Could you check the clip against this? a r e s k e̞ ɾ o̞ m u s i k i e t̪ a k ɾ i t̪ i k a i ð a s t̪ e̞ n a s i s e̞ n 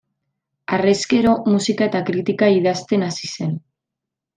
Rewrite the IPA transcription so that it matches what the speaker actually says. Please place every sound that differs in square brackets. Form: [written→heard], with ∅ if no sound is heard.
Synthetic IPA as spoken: a r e s k e̞ ɾ o̞ m u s i k [i→a] e t̪ a k ɾ i t̪ i k a i ð a s t̪ e̞ n a s i s e̞ n